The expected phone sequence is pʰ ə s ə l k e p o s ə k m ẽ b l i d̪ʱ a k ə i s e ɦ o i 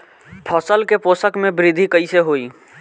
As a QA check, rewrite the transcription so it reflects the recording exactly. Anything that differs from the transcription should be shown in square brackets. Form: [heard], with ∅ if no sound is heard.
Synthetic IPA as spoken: pʰ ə s ə l k e p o s ə k m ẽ b [ɾ] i d̪ʱ [i] k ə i s e ɦ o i